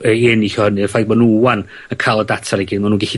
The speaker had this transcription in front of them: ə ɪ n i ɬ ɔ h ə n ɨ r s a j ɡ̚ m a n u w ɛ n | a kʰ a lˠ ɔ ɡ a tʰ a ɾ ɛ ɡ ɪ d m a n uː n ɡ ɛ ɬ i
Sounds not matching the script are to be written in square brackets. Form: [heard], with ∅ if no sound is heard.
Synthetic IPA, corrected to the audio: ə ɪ n i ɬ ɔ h ə n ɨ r [f] a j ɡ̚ m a n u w [a] n | [ə] kʰ a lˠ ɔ [d] a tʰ a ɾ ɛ ɡ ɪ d m a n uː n ɡ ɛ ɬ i